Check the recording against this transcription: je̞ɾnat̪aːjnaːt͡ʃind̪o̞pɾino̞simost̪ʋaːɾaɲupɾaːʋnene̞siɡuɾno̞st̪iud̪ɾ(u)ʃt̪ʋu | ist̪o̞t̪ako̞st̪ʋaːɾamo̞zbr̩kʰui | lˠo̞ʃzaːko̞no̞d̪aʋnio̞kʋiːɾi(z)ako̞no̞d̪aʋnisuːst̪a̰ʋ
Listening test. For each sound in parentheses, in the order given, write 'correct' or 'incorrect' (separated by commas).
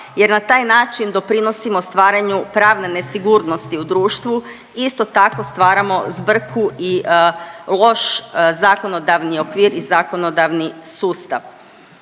incorrect, correct